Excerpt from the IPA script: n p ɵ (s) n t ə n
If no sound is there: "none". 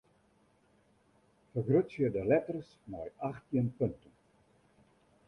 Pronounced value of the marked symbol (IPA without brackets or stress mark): none